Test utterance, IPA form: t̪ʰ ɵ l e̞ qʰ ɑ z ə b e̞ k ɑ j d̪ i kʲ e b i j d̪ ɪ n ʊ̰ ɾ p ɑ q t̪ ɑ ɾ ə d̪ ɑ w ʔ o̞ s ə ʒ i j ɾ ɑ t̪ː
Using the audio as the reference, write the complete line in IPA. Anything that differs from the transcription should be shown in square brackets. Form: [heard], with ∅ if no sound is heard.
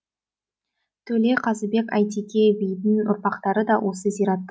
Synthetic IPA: t̪ʰ ɵ l e̞ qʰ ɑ z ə b e̞ k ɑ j [t̪] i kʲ e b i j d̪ ɪ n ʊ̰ ɾ p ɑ q t̪ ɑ ɾ ə d̪ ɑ w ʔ o̞ s ə [z] i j ɾ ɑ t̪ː